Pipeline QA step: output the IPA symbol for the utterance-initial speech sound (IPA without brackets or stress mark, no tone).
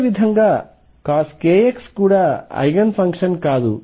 ʋ